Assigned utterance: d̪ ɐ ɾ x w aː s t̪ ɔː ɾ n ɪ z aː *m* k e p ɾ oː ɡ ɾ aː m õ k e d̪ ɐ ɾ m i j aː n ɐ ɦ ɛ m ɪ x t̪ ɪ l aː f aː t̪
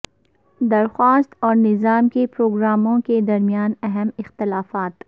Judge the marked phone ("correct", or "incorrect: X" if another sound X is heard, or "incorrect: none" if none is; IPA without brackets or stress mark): correct